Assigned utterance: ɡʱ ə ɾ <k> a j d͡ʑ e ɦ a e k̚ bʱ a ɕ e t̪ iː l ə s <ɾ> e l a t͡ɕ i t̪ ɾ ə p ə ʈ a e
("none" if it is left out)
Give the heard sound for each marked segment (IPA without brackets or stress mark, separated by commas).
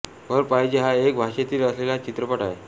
p, l